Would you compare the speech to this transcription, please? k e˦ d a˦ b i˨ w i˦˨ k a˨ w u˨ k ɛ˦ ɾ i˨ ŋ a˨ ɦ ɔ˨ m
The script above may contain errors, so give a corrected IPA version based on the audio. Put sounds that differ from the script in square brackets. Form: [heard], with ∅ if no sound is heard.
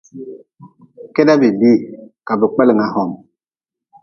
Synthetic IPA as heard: k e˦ d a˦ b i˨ [b] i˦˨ k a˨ [b] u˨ [k͡p] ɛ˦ [l] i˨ ŋ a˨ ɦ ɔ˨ m